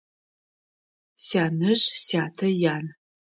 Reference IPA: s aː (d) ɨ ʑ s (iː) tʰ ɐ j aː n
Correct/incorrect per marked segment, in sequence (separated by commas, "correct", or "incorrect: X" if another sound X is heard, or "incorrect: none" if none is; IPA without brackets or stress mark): incorrect: n, incorrect: aː